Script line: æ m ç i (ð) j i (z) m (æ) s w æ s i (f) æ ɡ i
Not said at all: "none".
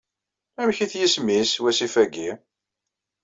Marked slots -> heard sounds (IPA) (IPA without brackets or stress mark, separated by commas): θ, s, i, f